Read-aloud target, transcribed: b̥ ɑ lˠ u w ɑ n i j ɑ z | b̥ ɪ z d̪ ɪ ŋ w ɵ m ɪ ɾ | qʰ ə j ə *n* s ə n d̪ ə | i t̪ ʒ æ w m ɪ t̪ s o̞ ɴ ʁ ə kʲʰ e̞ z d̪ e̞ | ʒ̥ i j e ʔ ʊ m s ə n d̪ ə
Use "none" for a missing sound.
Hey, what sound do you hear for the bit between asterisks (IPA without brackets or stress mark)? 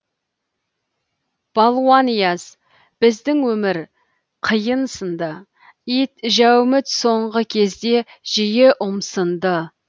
n